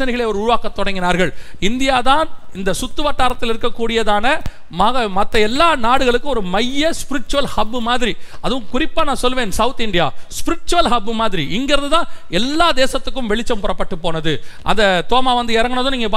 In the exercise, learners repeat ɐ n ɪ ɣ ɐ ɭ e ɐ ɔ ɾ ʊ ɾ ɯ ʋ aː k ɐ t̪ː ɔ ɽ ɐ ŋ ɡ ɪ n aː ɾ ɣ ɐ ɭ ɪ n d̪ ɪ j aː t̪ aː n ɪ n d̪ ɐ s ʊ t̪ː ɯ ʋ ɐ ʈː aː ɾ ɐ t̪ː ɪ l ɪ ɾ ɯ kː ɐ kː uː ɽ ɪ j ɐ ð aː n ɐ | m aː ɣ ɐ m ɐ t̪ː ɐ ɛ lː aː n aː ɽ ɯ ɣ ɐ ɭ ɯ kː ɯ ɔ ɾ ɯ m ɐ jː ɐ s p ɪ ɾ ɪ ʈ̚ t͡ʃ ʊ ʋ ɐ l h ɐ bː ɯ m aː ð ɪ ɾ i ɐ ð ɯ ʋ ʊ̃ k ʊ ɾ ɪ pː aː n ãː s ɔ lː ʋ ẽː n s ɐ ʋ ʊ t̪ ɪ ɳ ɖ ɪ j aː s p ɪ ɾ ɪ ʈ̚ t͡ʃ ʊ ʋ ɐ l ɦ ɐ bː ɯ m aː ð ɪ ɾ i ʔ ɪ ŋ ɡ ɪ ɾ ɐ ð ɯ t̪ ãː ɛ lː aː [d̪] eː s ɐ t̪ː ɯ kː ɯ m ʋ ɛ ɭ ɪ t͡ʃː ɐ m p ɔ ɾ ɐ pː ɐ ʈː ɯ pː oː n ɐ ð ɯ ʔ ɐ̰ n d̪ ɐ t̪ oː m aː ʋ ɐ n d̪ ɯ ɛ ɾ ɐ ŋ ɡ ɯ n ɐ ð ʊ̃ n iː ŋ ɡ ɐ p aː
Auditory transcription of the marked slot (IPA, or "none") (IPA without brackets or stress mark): d̪